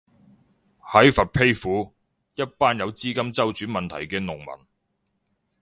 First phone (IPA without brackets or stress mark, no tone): h